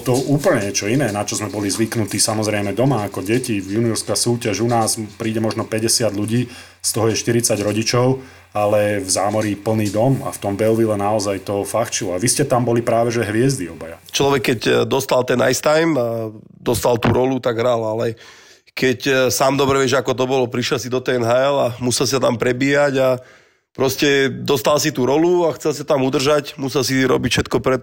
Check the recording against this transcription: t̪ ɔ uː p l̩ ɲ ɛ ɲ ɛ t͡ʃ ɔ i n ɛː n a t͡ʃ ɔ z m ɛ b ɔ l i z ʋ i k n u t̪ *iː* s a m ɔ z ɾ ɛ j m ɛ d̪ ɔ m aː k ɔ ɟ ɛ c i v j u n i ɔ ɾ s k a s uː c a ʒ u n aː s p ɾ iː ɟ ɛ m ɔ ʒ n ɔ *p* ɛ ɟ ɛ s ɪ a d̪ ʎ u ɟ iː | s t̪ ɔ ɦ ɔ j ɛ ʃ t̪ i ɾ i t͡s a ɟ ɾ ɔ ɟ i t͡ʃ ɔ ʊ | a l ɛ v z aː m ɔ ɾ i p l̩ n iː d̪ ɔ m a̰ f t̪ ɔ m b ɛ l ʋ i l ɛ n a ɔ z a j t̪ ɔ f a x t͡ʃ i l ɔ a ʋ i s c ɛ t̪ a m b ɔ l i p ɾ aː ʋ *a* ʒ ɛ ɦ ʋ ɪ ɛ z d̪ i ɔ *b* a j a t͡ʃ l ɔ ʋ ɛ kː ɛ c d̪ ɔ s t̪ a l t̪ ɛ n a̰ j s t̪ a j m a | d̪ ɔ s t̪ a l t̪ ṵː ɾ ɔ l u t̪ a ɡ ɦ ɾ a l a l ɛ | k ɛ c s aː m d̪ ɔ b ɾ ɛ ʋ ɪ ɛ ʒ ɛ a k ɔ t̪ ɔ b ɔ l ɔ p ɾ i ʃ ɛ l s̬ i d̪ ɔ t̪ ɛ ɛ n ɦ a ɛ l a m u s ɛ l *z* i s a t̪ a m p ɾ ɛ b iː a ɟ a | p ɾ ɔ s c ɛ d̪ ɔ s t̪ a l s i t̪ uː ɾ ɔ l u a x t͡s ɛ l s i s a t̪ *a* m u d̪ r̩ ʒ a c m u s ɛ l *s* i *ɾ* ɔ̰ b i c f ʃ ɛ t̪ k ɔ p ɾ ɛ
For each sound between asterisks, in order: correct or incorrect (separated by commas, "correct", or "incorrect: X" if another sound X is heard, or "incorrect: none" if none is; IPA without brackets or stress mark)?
correct, correct, incorrect: ɛ, correct, incorrect: s, correct, correct, correct